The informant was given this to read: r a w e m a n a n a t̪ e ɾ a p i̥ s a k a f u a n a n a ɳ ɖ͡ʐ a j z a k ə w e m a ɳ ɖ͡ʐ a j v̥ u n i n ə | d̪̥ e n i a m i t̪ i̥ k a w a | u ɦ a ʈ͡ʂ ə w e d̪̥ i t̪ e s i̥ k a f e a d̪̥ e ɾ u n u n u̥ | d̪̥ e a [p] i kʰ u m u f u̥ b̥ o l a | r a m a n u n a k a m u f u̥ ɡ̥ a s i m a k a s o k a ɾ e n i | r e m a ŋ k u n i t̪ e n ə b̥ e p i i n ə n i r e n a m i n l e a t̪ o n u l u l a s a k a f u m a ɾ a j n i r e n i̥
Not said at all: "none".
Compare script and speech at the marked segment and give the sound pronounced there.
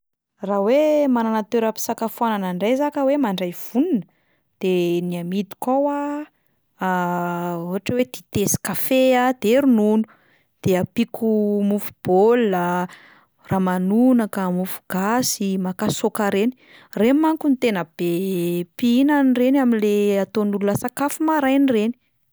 p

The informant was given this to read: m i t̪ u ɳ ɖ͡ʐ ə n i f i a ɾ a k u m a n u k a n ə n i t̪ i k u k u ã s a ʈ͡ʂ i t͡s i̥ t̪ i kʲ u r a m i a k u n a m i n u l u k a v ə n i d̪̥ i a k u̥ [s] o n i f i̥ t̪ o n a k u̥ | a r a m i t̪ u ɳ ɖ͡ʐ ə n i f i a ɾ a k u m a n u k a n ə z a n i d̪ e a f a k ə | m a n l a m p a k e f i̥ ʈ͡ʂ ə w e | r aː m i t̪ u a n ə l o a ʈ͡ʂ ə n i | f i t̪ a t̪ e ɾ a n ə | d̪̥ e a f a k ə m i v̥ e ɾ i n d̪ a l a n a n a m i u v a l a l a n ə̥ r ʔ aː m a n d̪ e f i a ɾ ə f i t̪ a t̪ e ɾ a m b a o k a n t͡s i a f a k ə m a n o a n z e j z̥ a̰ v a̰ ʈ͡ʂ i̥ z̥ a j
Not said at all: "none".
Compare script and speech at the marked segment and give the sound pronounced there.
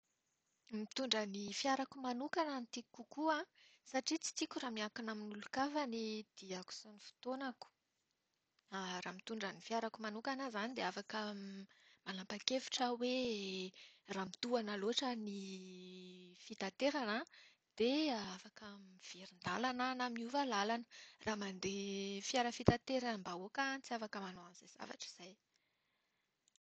s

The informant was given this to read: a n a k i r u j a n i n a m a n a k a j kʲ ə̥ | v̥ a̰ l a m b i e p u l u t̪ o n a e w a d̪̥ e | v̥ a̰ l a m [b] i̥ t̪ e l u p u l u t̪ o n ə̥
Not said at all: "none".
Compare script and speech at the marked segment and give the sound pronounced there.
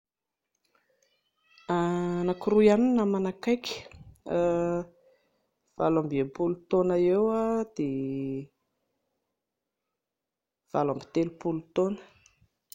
b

